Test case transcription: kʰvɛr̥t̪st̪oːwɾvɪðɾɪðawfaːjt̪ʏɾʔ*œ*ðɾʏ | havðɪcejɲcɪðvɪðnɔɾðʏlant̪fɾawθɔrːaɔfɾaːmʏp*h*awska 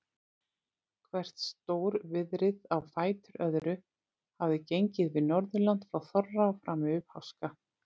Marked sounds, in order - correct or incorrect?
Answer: correct, correct

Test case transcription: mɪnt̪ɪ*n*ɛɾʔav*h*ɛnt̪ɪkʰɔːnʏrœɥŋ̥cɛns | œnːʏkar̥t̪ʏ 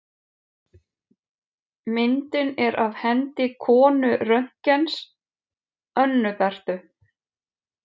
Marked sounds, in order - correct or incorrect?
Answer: correct, correct

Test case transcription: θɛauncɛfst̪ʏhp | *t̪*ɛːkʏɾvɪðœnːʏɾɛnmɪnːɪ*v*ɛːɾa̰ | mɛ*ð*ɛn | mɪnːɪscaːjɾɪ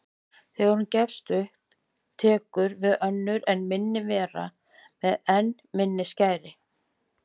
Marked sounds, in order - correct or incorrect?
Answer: incorrect: t̪ʰ, correct, correct

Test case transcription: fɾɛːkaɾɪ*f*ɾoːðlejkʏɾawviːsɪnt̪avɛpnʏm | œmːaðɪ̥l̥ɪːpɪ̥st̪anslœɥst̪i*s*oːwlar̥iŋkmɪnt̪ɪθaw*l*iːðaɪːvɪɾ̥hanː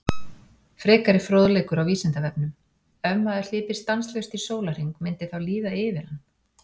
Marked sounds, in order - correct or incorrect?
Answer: correct, correct, correct

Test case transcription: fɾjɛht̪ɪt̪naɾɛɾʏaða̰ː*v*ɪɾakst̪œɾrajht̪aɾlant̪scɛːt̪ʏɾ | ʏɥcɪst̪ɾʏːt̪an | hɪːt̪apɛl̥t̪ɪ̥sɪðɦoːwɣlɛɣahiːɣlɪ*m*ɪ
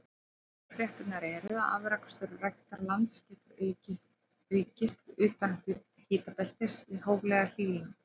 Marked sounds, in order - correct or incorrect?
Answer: correct, incorrect: n

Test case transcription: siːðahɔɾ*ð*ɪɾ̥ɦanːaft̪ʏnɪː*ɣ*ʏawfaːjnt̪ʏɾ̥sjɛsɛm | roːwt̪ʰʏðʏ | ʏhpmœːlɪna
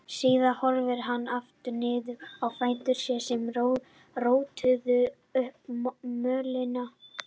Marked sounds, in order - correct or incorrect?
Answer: incorrect: v, incorrect: ð

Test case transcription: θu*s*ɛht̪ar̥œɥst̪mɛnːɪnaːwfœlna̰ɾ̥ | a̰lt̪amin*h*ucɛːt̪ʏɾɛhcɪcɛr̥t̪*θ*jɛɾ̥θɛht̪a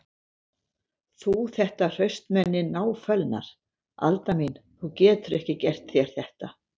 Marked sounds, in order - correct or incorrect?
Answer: incorrect: θ, incorrect: θ, correct

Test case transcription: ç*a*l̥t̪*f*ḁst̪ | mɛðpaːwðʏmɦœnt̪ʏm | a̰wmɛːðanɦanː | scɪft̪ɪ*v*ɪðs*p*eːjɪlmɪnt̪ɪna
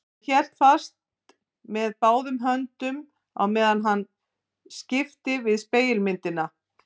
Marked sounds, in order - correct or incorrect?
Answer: incorrect: ɛ, correct, correct, correct

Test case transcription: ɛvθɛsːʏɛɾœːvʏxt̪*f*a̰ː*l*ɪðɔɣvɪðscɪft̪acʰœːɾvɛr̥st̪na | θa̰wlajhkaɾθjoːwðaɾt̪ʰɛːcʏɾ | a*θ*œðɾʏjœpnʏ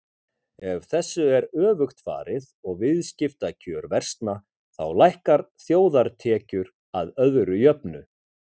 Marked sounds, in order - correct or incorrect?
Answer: correct, incorrect: ɾ, incorrect: ð

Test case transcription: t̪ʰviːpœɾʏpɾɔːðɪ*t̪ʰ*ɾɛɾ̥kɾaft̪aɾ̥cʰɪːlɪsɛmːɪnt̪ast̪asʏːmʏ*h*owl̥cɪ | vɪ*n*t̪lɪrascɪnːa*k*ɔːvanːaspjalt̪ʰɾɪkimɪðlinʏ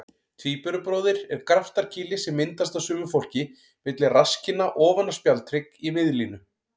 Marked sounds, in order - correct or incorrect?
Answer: incorrect: none, incorrect: f, incorrect: none, incorrect: ʔ

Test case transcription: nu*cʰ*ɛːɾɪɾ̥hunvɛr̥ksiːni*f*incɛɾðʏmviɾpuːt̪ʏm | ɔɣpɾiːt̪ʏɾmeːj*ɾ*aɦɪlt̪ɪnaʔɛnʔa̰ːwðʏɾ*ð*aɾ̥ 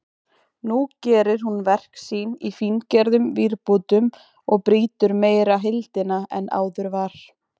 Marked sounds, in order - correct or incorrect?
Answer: incorrect: c, correct, correct, incorrect: v

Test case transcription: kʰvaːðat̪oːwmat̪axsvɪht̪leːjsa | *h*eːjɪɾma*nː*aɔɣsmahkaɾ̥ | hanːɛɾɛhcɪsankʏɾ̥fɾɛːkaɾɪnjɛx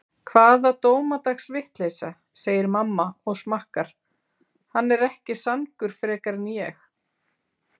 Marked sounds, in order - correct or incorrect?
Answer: incorrect: s, incorrect: mː

